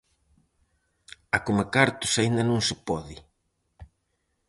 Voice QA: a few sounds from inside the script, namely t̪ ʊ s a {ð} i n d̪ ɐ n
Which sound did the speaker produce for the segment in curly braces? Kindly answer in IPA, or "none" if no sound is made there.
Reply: none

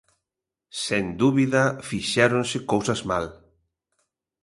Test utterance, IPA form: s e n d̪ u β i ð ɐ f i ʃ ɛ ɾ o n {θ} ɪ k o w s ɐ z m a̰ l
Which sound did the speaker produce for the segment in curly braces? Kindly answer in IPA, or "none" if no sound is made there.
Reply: s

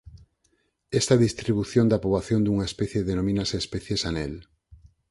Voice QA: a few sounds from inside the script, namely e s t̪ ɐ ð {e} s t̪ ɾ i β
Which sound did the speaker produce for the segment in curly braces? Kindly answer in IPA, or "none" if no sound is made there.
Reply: i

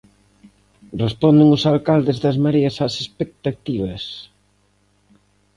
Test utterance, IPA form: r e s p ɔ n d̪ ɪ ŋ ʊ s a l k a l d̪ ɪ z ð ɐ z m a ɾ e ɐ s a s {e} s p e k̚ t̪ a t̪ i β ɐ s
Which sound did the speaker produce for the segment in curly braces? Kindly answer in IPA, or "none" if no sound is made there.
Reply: e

